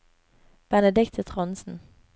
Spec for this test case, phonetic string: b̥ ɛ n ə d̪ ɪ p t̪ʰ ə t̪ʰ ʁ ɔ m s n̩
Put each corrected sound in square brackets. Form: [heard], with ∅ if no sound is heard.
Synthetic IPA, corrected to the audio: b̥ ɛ n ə d̪ ɪ [k] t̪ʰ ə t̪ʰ ʁ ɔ [n] s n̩

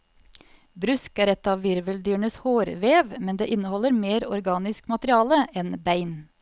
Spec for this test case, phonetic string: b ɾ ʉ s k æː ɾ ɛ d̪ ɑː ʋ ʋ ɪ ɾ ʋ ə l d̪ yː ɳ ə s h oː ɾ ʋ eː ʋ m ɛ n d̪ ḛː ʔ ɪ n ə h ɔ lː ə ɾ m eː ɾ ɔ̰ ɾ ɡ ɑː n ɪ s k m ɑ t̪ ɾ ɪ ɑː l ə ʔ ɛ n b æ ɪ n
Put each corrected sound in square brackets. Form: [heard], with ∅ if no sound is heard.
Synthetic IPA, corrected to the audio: b ɾ ʉ s k æː ɾ ɛ [t̪] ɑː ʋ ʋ ɪ ɾ ʋ ə l d̪ yː ɳ ə s h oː ɾ ʋ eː ʋ m ɛ n d̪ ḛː ʔ ɪ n ə h ɔ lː ə ɾ m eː ɾ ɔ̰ ɾ ɡ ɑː n ɪ s k m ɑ t̪ ɾ ɪ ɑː l ə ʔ ɛ n b æ ɪ n

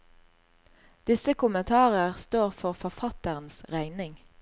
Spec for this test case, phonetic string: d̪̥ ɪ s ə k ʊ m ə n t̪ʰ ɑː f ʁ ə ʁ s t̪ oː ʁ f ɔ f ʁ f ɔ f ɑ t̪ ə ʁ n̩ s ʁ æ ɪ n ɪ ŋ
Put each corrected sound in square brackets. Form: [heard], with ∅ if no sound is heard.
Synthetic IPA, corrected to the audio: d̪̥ ɪ s ə k ʊ m ə n t̪ʰ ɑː [∅] ʁ ə ʁ s t̪ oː ʁ f ɔ [∅] ʁ f ɔ f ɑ t̪ ə ʁ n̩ s ʁ æ ɪ n ɪ ŋ

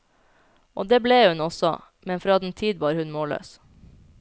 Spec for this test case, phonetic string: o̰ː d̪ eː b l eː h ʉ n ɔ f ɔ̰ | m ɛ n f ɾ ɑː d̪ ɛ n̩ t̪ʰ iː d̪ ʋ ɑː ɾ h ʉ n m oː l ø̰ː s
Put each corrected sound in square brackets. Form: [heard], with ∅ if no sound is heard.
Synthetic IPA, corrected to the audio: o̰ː d̪ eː b l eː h ʉ n ɔ [s] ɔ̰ | m ɛ n f ɾ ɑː d̪ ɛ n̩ t̪ʰ iː d̪ ʋ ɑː ɾ h ʉ n m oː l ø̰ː s

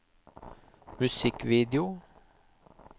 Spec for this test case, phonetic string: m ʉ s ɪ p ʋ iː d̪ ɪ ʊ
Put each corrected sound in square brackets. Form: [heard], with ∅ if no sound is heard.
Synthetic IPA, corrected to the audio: m ʉ s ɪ [k] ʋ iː d̪ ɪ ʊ

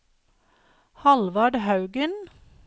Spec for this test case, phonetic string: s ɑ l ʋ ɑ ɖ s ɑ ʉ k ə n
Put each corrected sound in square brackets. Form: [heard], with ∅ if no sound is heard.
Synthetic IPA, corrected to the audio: [h] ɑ l ʋ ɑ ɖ [h] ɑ ʉ [ɡ] ə n

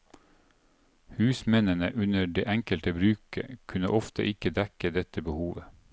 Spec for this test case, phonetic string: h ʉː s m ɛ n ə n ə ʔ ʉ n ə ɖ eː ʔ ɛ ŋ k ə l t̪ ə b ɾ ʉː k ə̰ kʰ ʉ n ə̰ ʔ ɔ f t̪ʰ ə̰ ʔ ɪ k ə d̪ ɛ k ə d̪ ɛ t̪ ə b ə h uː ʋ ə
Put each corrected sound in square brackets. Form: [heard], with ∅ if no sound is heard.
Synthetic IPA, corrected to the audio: h ʉː s m ɛ n ə n ə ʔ ʉ n ə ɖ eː ʔ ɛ ŋ k ə l t̪ ə b ɾ ʉː k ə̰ kʰ ʉ n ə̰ ʔ ɔ f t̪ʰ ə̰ ʔ ɪ k ə d̪ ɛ k ə d̪ ɛ t̪ ə b ə h uː ʋ ə

